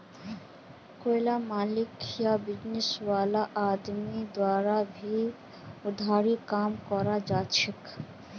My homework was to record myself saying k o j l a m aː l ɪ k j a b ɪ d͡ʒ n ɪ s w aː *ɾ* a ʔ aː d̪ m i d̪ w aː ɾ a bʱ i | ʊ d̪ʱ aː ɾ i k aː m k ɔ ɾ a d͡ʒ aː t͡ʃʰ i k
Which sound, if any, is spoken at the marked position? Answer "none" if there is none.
l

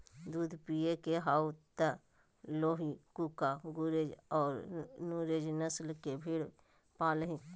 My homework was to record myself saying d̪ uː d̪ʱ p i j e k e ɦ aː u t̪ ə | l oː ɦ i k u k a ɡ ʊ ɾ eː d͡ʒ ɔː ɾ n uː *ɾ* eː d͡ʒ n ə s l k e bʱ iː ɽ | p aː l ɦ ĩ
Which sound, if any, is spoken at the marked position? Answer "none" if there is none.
ɾ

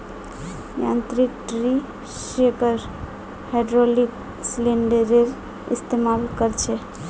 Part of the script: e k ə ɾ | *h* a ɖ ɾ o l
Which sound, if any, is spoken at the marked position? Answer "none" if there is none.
h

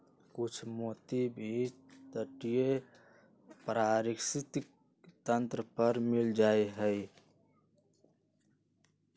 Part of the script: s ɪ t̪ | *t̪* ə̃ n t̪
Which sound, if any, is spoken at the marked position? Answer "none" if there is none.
t̪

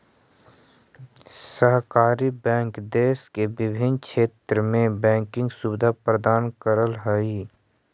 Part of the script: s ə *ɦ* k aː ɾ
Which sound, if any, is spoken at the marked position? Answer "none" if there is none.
ɦ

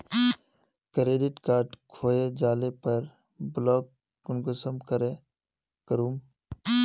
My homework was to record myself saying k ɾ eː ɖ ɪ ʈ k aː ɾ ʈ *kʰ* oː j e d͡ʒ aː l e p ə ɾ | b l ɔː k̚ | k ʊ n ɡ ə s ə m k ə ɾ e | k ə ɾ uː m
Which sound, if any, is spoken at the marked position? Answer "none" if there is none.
kʰ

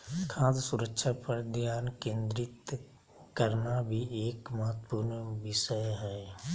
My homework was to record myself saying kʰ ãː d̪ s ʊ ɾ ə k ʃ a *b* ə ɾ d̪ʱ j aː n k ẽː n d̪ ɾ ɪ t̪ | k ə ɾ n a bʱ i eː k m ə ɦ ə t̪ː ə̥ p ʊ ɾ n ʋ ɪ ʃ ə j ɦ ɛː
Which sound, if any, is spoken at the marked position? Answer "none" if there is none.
p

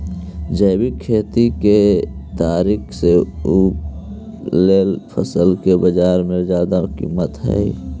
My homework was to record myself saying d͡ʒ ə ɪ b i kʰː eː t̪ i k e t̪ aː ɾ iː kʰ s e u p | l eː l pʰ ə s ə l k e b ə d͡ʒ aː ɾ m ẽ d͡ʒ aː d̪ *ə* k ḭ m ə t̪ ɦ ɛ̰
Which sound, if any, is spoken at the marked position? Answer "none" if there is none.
a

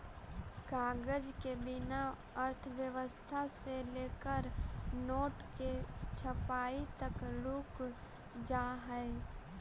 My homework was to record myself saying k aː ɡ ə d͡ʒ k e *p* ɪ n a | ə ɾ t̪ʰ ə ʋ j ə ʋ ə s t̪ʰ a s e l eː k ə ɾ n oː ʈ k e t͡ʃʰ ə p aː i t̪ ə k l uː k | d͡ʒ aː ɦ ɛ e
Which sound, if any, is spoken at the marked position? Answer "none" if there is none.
b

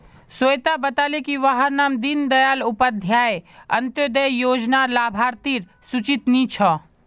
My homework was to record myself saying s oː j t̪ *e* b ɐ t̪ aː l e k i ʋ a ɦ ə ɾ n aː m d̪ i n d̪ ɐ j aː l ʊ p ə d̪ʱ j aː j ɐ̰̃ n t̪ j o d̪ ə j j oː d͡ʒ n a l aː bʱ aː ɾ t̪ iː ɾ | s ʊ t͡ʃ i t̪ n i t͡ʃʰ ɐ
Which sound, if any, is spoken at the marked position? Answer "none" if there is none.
a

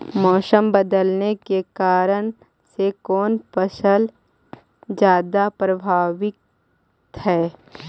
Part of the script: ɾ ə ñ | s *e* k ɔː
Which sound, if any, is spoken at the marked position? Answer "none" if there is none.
e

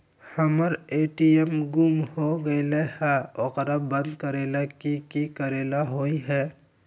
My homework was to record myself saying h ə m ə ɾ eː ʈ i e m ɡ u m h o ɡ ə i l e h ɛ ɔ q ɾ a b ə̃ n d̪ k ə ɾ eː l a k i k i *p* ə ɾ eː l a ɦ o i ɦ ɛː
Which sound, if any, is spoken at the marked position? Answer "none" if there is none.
k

